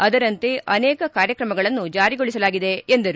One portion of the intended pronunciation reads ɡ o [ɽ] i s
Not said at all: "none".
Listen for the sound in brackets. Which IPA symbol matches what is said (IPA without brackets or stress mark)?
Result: ɭ